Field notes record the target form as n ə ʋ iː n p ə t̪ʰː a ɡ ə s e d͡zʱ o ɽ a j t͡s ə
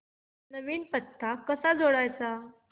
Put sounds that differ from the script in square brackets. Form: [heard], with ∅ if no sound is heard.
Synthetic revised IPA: n ə ʋ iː n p ə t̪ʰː a [k] ə s [a] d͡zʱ o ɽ a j t͡s [a]